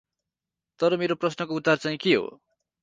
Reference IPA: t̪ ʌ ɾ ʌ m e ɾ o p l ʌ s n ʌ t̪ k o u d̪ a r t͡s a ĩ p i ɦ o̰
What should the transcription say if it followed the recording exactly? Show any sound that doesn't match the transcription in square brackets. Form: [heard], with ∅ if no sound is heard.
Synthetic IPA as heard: t̪ ʌ ɾ ʌ m e ɾ o p [r] ʌ s n ʌ [∅] k o u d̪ a r t͡s a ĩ [k] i ɦ o̰